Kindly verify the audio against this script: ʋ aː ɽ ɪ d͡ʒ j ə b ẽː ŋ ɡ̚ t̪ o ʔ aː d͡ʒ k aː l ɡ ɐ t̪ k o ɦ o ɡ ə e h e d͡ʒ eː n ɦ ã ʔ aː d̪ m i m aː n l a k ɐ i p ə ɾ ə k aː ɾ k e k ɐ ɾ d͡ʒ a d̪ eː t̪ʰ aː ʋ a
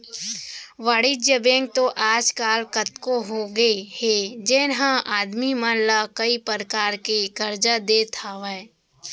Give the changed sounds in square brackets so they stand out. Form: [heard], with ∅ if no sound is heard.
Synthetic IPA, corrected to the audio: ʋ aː ɽ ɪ d͡ʒ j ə b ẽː ŋ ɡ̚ t̪ o ʔ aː d͡ʒ k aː l [k] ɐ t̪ k o ɦ o ɡ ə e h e d͡ʒ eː n ɦ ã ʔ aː d̪ m i m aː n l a k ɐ i p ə ɾ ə k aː ɾ k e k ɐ ɾ d͡ʒ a d̪ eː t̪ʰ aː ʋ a

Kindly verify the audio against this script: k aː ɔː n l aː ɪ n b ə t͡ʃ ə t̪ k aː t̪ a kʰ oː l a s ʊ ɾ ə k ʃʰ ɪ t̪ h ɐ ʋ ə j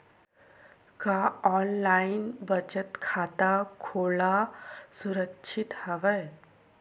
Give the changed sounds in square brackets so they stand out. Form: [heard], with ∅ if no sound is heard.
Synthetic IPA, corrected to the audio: k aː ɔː n l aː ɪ n b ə t͡ʃ ə t̪ [kʰ] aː t̪ a kʰ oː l a s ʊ ɾ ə k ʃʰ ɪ t̪ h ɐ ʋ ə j

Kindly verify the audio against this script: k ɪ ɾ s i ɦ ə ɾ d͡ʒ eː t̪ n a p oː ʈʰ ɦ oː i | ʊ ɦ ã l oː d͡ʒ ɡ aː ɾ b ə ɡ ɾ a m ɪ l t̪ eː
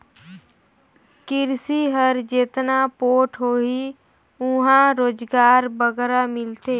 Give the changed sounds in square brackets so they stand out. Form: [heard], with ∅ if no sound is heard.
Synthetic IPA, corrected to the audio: k ɪ ɾ s i ɦ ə ɾ d͡ʒ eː t̪ n a p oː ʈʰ ɦ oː i | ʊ ɦ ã [ɾ] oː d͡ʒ ɡ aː ɾ b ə ɡ ɾ a m ɪ l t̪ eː

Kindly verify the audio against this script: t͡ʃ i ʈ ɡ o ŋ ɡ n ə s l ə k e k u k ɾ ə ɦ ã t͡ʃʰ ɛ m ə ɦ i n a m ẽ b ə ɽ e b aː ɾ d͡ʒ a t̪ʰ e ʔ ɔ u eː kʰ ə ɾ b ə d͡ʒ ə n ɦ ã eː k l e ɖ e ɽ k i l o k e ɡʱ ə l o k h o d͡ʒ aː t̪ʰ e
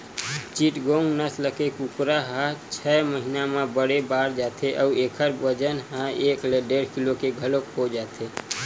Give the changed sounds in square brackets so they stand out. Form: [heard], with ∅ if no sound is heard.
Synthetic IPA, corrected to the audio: t͡ʃ i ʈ ɡ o ŋ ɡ n ə s l ə k e k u k ɾ [a] ɦ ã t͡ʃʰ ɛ m ə ɦ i n a m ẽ b ə ɽ e b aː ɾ d͡ʒ a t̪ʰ e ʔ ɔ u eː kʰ ə ɾ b ə d͡ʒ ə n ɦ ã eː k l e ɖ e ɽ k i l o k e ɡʱ ə l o k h o d͡ʒ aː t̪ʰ e

